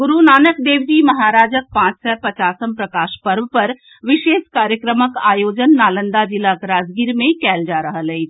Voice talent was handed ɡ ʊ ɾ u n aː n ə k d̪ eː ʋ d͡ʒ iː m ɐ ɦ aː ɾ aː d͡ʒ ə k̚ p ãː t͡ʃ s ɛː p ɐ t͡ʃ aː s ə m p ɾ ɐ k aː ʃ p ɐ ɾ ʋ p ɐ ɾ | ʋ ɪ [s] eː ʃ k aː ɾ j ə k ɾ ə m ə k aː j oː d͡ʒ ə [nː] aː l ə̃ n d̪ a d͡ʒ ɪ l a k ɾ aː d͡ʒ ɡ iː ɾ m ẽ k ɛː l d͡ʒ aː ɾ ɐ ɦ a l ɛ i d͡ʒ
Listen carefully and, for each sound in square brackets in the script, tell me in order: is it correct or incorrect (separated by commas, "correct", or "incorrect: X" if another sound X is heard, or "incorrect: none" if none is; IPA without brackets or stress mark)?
incorrect: ʃ, correct